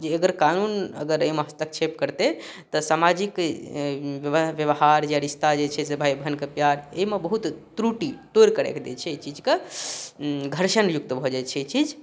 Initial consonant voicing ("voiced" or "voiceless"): voiced